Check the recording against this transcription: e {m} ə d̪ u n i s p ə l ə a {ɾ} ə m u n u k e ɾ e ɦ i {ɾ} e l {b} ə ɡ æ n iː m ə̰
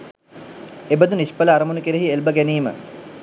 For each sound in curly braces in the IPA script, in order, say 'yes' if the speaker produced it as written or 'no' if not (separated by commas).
no, yes, no, yes